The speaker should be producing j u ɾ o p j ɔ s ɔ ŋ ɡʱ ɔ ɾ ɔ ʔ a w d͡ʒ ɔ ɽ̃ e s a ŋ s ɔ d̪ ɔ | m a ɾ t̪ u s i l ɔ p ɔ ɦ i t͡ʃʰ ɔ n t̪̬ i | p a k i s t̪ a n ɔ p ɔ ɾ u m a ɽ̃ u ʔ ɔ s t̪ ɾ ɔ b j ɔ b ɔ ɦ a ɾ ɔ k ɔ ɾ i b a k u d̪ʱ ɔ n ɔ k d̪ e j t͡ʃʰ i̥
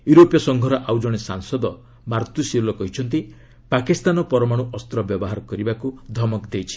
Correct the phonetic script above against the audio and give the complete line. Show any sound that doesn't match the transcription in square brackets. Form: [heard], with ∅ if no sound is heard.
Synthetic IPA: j u ɾ o p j ɔ s ɔ ŋ ɡʱ ɔ ɾ ɔ ʔ a w d͡ʒ ɔ ɽ̃ e s a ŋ s ɔ d̪ ɔ | m a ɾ t̪ u s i l ɔ [k] ɔ ɦ i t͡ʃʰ ɔ n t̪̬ i | p a k i s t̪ a n ɔ p ɔ ɾ [ɔ] m a ɽ̃ u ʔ ɔ s t̪ ɾ ɔ b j ɔ b ɔ ɦ a ɾ ɔ k ɔ ɾ i b a k u d̪ʱ ɔ [m] ɔ k d̪ e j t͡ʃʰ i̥